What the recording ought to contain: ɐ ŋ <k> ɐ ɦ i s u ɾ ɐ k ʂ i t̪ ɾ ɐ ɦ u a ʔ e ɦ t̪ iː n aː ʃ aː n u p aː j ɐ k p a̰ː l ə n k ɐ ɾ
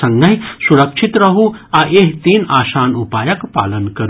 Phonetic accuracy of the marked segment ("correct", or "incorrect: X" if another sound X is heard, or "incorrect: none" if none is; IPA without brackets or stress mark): incorrect: ɡ